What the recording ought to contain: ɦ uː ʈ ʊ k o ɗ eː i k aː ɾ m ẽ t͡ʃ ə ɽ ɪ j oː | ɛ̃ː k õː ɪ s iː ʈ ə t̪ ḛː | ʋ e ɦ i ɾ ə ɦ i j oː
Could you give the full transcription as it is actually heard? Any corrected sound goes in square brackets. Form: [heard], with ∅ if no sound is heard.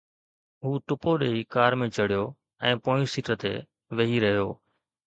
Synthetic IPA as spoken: ɦ uː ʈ ʊ [p] o ɗ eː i k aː ɾ m ẽ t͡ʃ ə ɽ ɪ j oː | ɛ̃ː [p] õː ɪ s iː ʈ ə t̪ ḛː | ʋ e ɦ i ɾ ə ɦ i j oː